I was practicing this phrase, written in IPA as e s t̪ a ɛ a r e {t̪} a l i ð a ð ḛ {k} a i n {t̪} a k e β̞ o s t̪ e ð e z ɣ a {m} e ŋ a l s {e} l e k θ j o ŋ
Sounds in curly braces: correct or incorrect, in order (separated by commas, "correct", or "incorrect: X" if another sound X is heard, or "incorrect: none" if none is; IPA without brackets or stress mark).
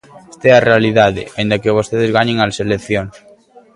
incorrect: none, incorrect: none, incorrect: d̪, incorrect: ɲ, correct